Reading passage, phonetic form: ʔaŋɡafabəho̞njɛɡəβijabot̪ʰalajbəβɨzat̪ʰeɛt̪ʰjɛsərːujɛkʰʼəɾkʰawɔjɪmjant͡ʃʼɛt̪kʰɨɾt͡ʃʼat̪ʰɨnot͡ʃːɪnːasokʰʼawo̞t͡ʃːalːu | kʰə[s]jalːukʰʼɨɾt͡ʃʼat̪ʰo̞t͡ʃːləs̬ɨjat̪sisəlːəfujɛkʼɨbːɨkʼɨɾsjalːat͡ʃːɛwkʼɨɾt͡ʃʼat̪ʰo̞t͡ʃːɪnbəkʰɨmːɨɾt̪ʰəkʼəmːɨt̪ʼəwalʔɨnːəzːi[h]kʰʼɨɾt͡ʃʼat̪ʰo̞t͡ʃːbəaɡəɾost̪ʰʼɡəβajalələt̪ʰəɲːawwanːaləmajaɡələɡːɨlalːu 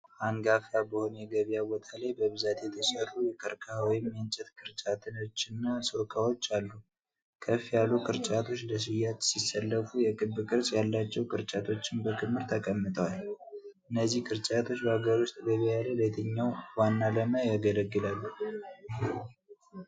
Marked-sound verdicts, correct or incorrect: incorrect: f, correct

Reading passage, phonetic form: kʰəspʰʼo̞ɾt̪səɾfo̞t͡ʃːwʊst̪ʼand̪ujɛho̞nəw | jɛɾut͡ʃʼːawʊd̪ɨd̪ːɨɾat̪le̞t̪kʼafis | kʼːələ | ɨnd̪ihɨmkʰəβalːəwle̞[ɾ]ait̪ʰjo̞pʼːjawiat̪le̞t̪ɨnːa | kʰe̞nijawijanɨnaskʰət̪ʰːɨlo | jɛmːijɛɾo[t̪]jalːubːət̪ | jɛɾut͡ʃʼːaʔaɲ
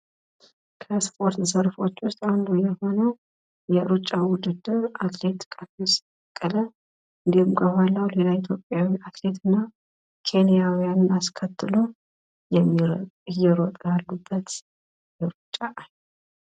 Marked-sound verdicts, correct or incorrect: incorrect: l, incorrect: t̪ʼ

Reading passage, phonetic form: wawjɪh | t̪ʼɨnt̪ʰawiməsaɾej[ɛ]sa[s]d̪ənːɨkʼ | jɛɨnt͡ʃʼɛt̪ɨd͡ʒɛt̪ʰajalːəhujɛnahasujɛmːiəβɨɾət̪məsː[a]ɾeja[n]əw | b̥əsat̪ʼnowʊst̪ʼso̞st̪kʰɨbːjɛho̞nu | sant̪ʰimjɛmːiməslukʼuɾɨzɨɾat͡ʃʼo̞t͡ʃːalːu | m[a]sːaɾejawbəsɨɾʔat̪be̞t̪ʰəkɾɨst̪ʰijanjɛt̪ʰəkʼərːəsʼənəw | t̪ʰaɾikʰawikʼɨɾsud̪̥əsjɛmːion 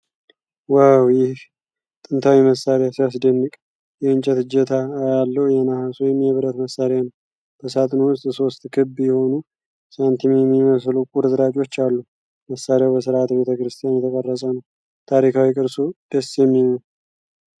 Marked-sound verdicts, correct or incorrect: incorrect: a, correct, correct, correct, incorrect: ə

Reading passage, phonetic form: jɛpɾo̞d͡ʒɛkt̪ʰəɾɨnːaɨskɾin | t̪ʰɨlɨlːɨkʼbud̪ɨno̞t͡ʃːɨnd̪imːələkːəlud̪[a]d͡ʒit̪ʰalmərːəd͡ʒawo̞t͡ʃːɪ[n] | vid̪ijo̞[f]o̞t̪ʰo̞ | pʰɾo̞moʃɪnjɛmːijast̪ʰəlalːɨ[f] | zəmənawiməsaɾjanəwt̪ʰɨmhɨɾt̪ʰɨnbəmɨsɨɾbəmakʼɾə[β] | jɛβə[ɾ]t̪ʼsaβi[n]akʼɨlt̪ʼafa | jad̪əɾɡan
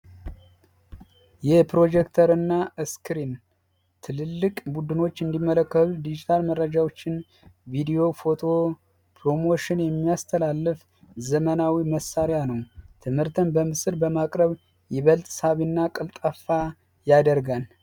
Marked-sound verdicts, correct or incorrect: incorrect: i, correct, correct, correct, correct, incorrect: l, incorrect: nː

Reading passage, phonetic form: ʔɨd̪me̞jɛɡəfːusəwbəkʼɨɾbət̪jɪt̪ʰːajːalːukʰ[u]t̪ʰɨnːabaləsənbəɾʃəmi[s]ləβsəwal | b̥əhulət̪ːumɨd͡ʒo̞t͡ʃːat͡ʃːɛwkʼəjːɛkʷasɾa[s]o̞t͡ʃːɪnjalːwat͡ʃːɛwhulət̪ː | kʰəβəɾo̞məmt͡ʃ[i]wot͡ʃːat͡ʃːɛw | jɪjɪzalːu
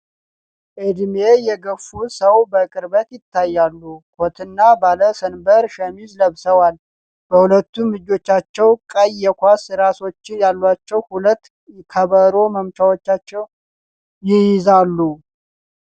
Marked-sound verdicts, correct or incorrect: incorrect: o, incorrect: z, correct, incorrect: a

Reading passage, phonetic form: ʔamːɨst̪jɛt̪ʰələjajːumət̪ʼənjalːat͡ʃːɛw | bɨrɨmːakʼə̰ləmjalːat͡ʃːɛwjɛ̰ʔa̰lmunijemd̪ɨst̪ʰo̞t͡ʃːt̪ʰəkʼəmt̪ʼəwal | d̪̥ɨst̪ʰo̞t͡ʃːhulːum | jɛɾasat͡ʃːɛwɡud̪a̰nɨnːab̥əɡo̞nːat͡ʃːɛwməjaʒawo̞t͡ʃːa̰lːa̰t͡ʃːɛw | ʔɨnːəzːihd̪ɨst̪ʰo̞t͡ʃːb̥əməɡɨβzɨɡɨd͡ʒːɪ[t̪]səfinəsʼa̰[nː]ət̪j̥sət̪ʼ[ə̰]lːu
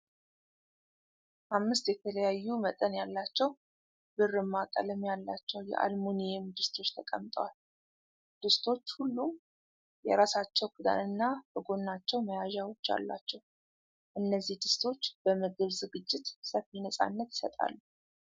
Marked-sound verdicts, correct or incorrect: correct, correct, incorrect: a̰

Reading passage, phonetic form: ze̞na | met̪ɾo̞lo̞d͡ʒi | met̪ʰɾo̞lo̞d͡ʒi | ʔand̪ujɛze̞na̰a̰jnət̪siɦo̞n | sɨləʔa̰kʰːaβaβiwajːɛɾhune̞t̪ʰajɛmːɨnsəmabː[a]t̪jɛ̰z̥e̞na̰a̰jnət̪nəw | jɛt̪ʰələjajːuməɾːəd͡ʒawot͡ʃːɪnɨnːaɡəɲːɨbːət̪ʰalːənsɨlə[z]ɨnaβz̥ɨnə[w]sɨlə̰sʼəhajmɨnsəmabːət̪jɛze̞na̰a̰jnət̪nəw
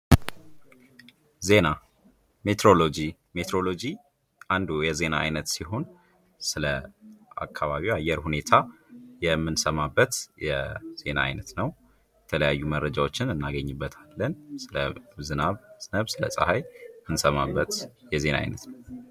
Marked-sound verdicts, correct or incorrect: incorrect: ə, correct, incorrect: β

